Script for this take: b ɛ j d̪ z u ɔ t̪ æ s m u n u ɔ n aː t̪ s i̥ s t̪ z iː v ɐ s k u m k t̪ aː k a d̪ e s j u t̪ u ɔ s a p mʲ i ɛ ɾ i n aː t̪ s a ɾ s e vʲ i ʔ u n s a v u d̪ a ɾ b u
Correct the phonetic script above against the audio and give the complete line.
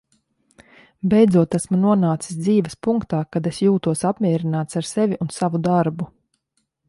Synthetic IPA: b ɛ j d̪ z u ɔ t̪ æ s m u n u ɔ n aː t̪ s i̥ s d̪ z iː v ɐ s p u ŋ k t̪ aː k a d̪ e s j uː t̪ u ɔ s a p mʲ i ɛ ɾ i n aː t̪ s a ɾ s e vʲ i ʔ u n s a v u d̪ a ɾ b u